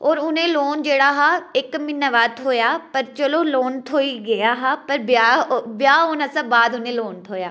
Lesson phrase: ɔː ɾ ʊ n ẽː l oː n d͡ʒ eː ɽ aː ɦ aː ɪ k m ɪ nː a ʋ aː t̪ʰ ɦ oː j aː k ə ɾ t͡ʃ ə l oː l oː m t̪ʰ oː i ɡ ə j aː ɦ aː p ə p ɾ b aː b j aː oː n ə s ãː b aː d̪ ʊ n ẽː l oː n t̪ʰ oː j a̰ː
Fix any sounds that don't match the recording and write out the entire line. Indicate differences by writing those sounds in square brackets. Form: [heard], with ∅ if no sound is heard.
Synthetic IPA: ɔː ɾ ʊ n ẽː l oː n d͡ʒ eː ɽ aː ɦ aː ɪ k m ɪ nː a ʋ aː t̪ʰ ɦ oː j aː [p] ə ɾ t͡ʃ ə l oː l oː [n] t̪ʰ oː i ɡ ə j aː ɦ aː p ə [∅] ɾ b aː b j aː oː n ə s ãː b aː d̪ ʊ n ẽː l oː n t̪ʰ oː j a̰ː